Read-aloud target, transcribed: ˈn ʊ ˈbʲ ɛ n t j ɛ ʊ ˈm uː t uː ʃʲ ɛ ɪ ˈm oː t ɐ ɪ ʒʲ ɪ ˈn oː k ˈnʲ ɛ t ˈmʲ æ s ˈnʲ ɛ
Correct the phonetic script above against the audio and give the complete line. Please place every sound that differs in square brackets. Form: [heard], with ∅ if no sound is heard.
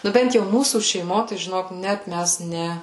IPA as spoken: ˈn ʊ ˈbʲ ɛ n t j ɛ ʊ ˈm uː [s] uː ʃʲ ɛ ɪ ˈm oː t ɐ ɪ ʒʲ ɪ ˈn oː k ˈnʲ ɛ t ˈmʲ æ s ˈnʲ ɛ